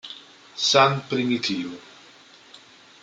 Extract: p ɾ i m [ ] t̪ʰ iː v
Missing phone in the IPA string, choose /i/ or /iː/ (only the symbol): i